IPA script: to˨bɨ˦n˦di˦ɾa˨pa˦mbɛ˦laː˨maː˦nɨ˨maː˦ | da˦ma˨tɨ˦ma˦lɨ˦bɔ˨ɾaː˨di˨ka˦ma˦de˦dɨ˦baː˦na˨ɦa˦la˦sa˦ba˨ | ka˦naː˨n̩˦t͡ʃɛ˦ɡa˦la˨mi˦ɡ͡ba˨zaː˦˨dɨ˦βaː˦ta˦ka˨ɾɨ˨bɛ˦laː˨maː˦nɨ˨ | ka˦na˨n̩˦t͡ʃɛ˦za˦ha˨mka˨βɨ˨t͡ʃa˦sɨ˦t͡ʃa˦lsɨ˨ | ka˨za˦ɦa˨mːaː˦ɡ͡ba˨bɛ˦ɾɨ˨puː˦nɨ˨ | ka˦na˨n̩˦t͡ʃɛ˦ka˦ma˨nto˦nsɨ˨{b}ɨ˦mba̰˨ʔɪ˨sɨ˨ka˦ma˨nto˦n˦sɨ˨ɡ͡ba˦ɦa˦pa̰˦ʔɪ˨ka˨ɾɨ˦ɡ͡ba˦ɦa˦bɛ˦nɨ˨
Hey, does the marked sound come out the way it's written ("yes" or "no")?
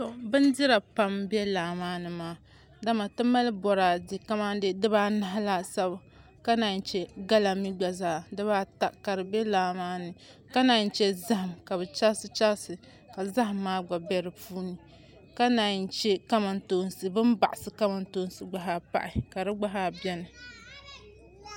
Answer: yes